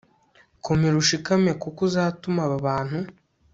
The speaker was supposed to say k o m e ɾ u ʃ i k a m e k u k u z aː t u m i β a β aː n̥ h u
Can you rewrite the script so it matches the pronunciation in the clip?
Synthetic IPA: k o m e ɾ u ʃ i k a m e k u k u z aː t u m a β a β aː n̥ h u